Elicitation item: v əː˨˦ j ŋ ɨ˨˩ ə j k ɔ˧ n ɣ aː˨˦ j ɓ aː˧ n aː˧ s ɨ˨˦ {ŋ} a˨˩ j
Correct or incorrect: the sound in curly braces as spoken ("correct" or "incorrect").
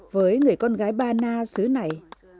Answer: incorrect